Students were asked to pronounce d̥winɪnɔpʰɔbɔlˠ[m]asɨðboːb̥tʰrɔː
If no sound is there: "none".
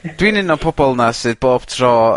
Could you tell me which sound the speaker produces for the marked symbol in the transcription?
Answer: n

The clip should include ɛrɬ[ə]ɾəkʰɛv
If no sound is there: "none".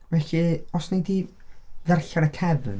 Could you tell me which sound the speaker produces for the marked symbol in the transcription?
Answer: a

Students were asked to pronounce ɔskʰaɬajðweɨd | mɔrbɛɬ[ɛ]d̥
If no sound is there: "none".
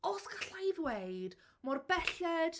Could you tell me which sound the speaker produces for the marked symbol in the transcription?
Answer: ɛ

